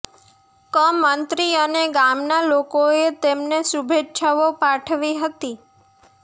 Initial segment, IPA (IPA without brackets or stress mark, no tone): k